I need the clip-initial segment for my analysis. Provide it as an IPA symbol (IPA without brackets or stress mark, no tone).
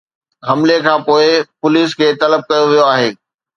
ɦ